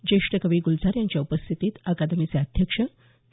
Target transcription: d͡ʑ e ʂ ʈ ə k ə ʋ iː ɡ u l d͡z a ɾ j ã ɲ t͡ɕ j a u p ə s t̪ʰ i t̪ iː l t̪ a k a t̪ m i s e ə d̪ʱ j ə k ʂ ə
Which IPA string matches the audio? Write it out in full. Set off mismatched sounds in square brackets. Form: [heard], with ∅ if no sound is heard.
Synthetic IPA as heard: d͡ʑ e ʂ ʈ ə k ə ʋ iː ɡ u l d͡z a ɾ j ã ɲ t͡ɕ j a u p ə s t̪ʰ i t̪ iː [∅] t̪ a k a [d̪] m i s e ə d̪ʱ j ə k ʂ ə